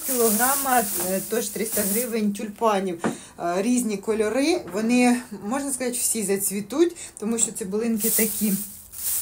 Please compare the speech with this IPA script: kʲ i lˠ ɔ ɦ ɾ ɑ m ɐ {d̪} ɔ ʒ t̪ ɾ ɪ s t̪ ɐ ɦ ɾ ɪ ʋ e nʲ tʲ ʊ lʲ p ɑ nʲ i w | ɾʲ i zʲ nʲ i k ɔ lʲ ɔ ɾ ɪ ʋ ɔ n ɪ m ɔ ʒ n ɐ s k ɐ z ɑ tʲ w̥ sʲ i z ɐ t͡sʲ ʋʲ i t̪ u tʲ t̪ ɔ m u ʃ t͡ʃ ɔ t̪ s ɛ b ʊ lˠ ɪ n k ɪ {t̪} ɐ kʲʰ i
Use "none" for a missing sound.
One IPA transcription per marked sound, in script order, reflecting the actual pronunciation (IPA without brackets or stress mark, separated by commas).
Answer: t̪, t̪